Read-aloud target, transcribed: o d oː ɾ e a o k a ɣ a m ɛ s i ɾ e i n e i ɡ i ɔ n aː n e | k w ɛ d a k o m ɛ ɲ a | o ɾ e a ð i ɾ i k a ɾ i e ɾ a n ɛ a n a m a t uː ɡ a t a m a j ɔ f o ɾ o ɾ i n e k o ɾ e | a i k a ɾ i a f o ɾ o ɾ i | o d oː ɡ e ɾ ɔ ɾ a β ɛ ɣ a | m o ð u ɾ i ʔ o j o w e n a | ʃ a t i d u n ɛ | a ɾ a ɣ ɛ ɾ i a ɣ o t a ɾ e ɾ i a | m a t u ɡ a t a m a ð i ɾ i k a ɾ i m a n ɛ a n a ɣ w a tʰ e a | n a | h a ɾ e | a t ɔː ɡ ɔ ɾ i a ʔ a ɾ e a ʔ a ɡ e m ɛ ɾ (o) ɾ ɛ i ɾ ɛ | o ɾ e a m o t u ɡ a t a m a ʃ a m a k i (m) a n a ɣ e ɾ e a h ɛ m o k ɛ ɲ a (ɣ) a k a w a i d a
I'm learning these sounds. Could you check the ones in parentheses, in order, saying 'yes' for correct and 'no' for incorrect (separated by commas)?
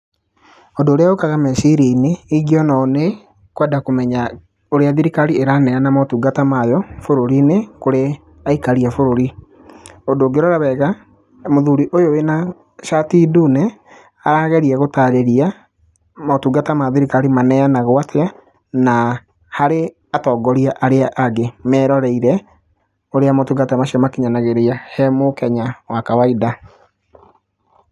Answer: no, no, no